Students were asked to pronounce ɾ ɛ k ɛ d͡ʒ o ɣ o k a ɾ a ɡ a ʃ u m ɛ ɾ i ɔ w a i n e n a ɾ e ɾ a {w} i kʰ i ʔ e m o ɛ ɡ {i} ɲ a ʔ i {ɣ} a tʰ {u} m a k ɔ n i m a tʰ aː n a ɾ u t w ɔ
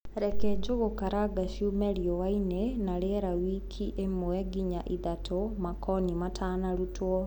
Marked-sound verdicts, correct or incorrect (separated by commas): correct, correct, incorrect, incorrect